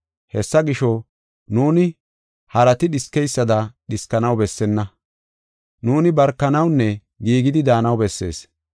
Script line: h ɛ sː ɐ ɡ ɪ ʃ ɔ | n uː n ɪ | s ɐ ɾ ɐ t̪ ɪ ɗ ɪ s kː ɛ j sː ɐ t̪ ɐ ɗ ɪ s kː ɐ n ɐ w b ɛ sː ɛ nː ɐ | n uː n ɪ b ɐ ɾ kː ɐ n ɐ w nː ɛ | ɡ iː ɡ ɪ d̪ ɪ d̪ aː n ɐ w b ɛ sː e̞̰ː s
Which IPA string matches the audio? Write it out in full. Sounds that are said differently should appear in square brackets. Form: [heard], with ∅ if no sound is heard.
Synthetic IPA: h ɛ sː ɐ ɡ ɪ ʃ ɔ | n uː n ɪ | [h] ɐ ɾ ɐ t̪ ɪ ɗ ɪ s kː ɛ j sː ɐ [d̪] ɐ ɗ ɪ s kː ɐ n ɐ w b ɛ sː ɛ nː ɐ | n uː n ɪ b ɐ ɾ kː ɐ n ɐ w nː ɛ | ɡ iː ɡ ɪ d̪ ɪ d̪ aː n ɐ w b ɛ sː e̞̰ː s

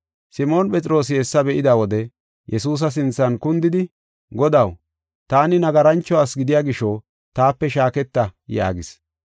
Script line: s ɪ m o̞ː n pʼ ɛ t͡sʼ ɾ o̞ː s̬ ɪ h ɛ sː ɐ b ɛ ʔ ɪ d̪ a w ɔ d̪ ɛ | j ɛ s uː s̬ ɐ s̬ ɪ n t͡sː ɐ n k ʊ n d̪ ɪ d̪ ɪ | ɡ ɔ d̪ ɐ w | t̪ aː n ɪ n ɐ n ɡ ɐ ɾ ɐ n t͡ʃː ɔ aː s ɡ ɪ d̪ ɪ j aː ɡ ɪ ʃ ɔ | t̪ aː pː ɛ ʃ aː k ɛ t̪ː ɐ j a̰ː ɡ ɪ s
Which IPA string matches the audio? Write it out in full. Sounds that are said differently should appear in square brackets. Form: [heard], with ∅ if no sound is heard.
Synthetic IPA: s ɪ m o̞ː n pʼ ɛ t͡sʼ ɾ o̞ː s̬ ɪ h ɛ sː ɐ b ɛ ʔ ɪ d̪ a w ɔ d̪ ɛ | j ɛ s uː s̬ ɐ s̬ ɪ n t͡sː ɐ n k ʊ n d̪ ɪ d̪ ɪ | ɡ ɔ d̪ ɐ w | t̪ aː n ɪ n ɐ [∅] ɡ ɐ ɾ ɐ n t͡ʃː ɔ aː s ɡ ɪ d̪ ɪ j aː ɡ ɪ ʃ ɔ | t̪ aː pː ɛ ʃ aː k ɛ t̪ː ɐ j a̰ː ɡ ɪ s

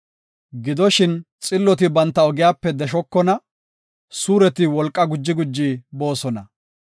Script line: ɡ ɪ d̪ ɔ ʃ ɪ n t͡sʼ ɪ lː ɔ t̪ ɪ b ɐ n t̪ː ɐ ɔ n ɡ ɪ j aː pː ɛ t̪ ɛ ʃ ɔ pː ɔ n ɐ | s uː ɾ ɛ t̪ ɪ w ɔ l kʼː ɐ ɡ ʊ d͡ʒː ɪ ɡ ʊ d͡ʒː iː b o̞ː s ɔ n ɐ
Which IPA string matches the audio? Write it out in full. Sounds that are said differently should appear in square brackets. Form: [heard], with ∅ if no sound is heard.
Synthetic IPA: ɡ ɪ d̪ ɔ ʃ ɪ n t͡sʼ ɪ lː ɔ t̪ ɪ b ɐ n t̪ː ɐ ɔ [∅] ɡ ɪ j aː pː ɛ [d̪] ɛ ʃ ɔ [kː] ɔ n ɐ | s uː ɾ ɛ t̪ ɪ w ɔ l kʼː ɐ ɡ ʊ d͡ʒː ɪ ɡ ʊ d͡ʒː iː b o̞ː s ɔ n ɐ

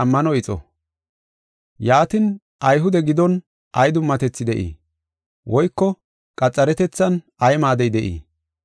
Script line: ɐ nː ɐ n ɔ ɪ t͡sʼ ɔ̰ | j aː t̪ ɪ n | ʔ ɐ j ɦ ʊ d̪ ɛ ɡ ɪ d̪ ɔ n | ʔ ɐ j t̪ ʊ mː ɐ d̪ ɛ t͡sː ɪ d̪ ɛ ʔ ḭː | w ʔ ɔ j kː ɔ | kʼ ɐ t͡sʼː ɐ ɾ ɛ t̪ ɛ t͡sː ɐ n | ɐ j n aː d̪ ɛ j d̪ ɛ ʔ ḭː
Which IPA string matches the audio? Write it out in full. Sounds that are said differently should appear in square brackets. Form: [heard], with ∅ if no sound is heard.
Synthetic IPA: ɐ [mː] ɐ n ɔ ɪ t͡sʼ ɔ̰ | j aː t̪ ɪ n | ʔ ɐ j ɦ ʊ d̪ ɛ ɡ ɪ d̪ ɔ n | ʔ ɐ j [d̪] ʊ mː ɐ [t̪] ɛ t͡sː ɪ d̪ ɛ ʔ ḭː | w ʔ ɔ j kː ɔ | kʼ ɐ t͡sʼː ɐ ɾ ɛ t̪ ɛ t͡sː ɐ n | ɐ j [m] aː d̪ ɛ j d̪ ɛ ʔ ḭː

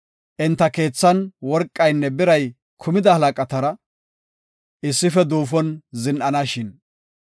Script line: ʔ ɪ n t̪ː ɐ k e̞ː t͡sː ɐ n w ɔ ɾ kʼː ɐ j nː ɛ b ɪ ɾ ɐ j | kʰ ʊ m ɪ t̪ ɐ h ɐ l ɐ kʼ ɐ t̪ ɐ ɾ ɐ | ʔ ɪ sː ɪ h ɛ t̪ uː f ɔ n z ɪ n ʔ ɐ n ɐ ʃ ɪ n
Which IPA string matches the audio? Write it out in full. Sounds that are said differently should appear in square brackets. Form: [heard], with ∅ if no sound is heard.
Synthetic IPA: ʔ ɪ n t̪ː ɐ k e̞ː t͡sː ɐ n w ɔ ɾ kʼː ɐ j nː ɛ b ɪ ɾ ɐ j | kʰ ʊ m ɪ [d̪] ɐ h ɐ l ɐ kʼ ɐ t̪ ɐ ɾ ɐ | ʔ ɪ sː ɪ [f] ɛ [d̪] uː f ɔ n z ɪ n ʔ ɐ n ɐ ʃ ɪ n

